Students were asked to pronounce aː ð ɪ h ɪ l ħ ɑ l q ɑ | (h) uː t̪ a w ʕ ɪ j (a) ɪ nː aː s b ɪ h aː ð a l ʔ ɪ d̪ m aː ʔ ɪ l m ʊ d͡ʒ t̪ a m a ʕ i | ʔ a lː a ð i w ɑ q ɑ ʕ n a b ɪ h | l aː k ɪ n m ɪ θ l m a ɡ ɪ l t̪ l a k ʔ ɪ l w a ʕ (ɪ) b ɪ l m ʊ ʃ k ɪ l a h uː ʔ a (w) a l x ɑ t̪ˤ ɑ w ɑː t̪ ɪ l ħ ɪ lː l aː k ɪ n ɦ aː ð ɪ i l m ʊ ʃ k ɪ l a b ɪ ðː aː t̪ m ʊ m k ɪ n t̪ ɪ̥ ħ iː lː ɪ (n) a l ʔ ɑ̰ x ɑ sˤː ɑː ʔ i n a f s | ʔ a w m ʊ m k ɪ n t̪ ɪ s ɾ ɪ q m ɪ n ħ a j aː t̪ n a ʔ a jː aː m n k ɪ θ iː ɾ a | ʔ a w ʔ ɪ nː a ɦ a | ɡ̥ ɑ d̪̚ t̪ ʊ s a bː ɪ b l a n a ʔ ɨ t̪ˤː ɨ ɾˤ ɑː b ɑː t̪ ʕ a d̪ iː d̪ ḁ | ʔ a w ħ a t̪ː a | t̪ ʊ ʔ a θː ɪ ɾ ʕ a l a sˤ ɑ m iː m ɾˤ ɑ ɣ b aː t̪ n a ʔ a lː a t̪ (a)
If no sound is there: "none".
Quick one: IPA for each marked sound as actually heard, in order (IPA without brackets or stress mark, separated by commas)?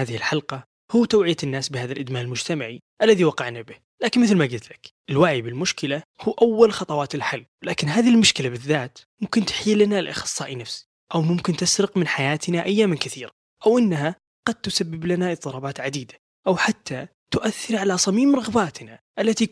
h, a, i, wː, n, i